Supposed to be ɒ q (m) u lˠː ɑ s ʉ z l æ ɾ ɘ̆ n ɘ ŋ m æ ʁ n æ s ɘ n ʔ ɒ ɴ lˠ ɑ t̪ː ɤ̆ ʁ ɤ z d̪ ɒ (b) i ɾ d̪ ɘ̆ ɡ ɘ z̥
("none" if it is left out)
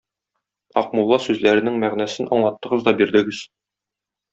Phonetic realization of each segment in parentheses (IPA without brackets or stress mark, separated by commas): m, b